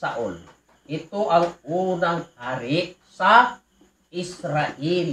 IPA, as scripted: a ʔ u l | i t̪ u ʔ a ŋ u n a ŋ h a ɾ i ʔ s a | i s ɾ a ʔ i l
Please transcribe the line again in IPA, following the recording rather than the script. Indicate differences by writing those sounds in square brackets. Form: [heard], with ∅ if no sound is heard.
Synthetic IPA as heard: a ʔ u l | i t̪ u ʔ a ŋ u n a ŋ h a ɾ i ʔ s a | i s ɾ a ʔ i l